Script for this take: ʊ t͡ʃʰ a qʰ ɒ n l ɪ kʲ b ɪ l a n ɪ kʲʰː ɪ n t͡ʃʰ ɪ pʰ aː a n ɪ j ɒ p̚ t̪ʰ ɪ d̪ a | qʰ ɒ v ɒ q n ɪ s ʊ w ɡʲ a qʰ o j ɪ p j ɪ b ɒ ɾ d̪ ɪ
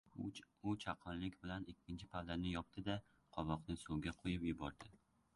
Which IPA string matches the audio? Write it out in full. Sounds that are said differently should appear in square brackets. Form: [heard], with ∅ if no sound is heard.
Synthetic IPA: ʊ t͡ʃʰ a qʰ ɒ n l ɪ kʲ b ɪ l a n ɪ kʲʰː ɪ n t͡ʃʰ ɪ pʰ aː a n ɪ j ɒ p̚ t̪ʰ ɪ d̪ a | qʰ ɒ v ɒ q n ɪ s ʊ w ɡʲ a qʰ o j ɪ p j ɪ b ɒ ɾ d̪ ɪ